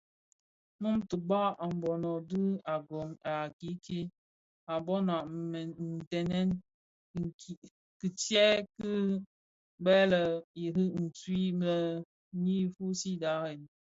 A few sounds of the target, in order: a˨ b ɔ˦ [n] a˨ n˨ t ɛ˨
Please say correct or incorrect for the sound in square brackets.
correct